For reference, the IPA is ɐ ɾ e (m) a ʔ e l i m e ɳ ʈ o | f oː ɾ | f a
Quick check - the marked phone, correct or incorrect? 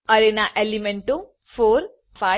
incorrect